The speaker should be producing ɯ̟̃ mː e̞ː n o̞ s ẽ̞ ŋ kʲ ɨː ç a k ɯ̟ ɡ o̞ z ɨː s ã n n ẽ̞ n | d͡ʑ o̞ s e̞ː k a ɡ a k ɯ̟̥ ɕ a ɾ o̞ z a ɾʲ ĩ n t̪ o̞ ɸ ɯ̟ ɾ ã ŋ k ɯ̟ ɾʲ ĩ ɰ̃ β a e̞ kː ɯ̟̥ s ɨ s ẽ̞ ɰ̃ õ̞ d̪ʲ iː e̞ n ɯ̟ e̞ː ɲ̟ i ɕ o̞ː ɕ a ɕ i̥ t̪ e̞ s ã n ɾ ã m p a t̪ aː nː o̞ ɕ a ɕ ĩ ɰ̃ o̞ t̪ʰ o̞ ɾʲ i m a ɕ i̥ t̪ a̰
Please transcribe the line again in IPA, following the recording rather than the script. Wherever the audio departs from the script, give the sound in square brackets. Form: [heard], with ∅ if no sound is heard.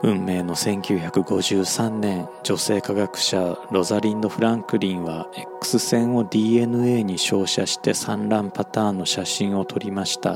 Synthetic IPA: ɯ̟̃ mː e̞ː n o̞ s ẽ̞ ŋ kʲ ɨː ç a k ɯ̟ ɡ o̞ [ʑ] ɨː s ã n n ẽ̞ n | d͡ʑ o̞ s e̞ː k a ɡ a k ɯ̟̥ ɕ a ɾ o̞ z a ɾʲ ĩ n [d̪] o̞ ɸ ɯ̟ ɾ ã ŋ k ɯ̟ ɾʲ ĩ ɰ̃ β a e̞ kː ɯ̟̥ s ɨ s ẽ̞ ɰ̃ [o̞] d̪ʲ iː e̞ n ɯ̟ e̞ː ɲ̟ i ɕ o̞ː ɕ a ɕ i̥ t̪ e̞ s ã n ɾ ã m p a t̪ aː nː o̞ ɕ a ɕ ĩ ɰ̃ o̞ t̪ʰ o̞ ɾʲ i m a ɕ i̥ t̪ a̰